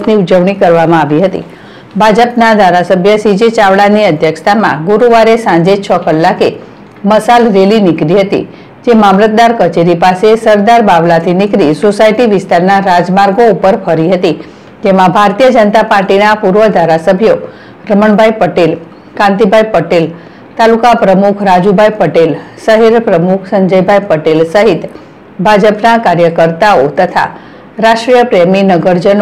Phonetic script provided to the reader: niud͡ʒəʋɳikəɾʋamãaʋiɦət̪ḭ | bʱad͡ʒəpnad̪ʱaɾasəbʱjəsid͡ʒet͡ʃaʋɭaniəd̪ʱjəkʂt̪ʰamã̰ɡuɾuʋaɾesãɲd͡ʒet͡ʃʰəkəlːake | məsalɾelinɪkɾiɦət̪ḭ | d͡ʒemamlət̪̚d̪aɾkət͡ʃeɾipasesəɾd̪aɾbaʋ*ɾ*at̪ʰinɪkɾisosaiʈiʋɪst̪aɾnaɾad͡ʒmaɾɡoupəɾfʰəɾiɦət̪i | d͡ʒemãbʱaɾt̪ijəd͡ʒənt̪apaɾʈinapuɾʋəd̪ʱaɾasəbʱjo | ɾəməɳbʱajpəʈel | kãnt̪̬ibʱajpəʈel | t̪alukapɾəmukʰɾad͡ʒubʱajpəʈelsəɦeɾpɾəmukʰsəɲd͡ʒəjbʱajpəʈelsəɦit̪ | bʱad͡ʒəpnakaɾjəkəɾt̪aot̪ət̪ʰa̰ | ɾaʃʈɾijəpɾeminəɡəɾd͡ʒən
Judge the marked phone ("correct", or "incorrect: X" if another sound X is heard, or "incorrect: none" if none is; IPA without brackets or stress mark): incorrect: l